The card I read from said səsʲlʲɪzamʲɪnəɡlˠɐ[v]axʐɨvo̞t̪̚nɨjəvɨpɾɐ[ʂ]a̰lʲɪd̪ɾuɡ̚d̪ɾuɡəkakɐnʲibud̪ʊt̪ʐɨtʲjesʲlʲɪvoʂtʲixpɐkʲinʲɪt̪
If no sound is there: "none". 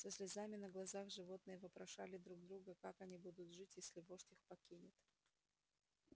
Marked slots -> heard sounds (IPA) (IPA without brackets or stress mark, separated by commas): z, ʂ